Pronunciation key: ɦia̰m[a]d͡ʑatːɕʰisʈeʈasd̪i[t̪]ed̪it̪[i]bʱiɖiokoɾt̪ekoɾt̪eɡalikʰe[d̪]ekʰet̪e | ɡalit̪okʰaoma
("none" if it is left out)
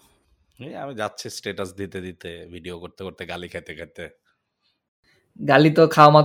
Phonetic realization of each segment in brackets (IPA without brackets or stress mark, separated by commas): i, t̪, e, t̪